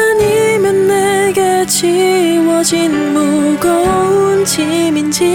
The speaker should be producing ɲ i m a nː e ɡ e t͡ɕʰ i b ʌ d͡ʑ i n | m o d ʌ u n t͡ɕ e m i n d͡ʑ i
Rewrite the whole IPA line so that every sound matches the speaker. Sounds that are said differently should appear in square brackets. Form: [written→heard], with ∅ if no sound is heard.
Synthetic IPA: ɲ i m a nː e ɡ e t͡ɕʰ i [b→w] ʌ d͡ʑ i n | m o [d→ɡ] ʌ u n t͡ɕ [e→i] m i n d͡ʑ i